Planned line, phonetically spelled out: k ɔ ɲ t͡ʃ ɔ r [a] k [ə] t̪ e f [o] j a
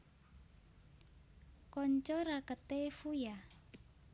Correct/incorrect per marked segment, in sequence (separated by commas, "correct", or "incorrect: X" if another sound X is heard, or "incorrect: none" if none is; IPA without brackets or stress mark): correct, correct, incorrect: u